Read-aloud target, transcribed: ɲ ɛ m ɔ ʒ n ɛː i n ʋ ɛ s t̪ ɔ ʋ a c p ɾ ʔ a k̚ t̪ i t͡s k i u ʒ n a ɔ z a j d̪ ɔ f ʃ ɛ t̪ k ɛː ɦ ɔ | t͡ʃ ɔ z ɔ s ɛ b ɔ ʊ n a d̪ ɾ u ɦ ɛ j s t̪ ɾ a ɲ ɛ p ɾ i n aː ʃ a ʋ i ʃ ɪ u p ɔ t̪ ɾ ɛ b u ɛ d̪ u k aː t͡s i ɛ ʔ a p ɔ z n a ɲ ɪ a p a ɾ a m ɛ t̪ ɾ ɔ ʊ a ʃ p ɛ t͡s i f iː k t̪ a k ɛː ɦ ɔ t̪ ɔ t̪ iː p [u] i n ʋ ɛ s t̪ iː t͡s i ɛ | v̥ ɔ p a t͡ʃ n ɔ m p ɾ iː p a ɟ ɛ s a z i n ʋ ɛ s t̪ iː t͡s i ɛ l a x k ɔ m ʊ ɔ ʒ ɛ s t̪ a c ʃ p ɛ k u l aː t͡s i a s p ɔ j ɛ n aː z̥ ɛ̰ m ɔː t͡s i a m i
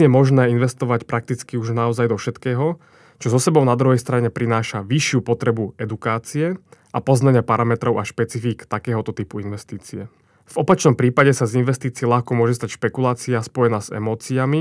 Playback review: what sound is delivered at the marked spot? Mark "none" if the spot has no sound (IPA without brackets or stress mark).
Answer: u